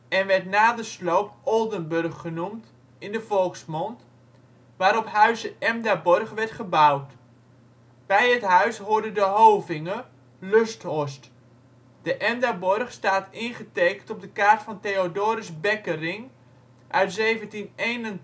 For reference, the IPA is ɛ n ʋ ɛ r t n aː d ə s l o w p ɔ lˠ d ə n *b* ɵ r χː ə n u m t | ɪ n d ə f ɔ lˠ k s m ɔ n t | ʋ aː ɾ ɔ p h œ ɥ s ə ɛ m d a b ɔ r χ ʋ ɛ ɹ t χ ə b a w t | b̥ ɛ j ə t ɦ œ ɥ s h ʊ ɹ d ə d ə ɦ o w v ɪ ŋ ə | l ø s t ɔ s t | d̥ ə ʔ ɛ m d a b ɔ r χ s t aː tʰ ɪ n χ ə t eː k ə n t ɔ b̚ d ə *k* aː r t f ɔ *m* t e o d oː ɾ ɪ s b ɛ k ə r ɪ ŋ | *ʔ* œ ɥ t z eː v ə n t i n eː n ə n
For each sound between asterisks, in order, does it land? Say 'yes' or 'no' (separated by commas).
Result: yes, yes, no, yes